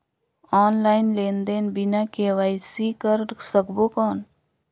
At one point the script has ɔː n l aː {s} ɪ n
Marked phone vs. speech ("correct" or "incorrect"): incorrect